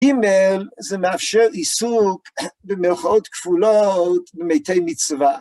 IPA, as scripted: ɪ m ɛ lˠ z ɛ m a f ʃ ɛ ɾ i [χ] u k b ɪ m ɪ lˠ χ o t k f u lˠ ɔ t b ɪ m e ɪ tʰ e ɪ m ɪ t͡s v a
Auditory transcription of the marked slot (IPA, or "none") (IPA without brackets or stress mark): s